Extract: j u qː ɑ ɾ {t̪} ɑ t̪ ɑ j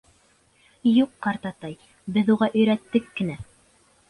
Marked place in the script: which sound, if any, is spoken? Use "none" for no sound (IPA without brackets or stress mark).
t̪